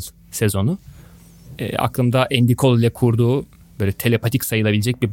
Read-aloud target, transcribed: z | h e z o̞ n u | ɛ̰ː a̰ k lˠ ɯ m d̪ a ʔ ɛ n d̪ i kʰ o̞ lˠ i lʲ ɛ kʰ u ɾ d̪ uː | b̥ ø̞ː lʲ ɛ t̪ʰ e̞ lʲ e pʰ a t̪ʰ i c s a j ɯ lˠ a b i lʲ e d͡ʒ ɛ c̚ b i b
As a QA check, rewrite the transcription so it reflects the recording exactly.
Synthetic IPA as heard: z | s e z o̞ n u | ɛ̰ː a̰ k lˠ ɯ m d̪ a ʔ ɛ n d̪ i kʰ o̞ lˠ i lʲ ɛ kʰ u ɾ d̪ uː | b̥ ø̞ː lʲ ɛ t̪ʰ e̞ lʲ e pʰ a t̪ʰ i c s a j ɯ lˠ a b i lʲ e d͡ʒ ɛ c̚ b i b